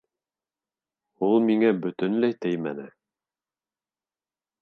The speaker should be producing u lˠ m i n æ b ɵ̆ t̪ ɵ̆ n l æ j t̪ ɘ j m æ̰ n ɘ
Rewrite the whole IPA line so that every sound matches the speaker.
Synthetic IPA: u lˠ m i ŋ æ b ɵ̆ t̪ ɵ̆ n l æ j t̪ ɘ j m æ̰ n ɘ